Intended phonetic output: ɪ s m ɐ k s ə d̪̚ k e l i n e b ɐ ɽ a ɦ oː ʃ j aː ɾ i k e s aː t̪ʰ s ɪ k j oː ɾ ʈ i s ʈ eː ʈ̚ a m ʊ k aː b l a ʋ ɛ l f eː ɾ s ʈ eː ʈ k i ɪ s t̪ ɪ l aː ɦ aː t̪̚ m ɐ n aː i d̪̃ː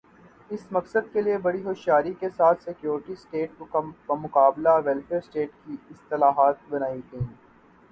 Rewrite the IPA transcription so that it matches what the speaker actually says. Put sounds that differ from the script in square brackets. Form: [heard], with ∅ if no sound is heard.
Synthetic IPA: ɪ s m ɐ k s ə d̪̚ k e l i [∅] e b ɐ ɽ [i] ɦ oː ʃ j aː ɾ i k e s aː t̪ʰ s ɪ k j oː ɾ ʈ i s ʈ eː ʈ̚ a m ʊ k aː b l a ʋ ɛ l f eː ɾ s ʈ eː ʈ k i ɪ s t̪ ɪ l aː ɦ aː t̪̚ [b] ɐ n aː i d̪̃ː